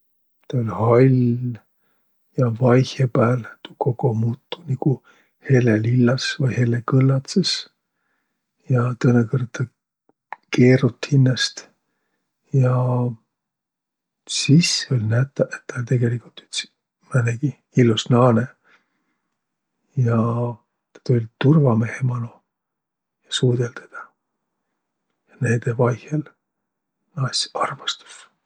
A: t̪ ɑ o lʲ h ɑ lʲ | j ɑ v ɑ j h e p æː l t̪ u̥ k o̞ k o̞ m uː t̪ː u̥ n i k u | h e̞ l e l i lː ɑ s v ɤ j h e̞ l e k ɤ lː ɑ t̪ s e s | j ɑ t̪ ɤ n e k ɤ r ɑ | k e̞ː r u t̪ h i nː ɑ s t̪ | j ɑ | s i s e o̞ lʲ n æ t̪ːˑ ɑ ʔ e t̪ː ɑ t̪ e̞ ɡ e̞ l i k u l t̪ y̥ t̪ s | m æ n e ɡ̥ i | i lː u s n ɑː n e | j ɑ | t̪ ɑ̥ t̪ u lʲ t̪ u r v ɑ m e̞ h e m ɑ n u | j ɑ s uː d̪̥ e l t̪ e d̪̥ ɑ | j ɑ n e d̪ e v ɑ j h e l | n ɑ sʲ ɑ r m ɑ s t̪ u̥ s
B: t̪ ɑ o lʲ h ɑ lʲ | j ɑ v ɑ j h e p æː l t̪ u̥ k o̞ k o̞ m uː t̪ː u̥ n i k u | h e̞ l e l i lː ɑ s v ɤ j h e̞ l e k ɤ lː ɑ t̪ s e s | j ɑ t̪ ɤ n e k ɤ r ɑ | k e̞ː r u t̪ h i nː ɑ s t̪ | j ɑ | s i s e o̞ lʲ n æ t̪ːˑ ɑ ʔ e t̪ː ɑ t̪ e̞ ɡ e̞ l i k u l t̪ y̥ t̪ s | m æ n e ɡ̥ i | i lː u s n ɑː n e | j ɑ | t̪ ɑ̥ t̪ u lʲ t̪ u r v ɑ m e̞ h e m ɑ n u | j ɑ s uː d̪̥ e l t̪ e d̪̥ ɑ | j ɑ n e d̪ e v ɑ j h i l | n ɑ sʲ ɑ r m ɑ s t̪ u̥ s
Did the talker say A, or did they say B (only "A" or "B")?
A